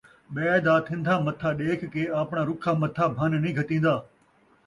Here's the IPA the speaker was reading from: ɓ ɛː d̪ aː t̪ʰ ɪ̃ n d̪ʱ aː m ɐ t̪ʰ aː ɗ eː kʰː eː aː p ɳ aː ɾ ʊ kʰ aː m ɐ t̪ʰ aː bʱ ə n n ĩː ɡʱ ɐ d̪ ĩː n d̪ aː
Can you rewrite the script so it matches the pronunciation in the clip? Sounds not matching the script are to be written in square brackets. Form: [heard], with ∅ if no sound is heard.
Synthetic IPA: ɓ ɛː d̪ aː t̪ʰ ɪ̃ n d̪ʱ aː m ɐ t̪ʰ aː ɗ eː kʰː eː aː p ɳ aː ɾ ʊ kʰ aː m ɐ t̪ʰ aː bʱ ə n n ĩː ɡʱ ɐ [t̪] ĩː n d̪ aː